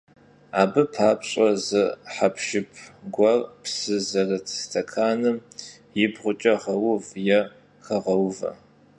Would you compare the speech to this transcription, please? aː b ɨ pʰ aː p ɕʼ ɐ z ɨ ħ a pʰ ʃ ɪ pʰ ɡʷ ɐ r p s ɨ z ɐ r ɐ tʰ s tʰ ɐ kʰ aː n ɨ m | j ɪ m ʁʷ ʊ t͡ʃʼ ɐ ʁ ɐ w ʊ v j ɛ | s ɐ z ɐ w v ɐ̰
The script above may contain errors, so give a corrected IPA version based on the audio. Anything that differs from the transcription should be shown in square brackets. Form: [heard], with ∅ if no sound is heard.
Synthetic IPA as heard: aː b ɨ pʰ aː p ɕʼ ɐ z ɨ ħ a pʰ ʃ ɪ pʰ ɡʷ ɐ r p s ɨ z ɐ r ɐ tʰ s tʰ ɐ kʰ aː n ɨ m | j ɪ [b] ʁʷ ʊ t͡ʃʼ ɐ ʁ ɐ w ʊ v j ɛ | [x] ɐ [ʁ] ɐ w v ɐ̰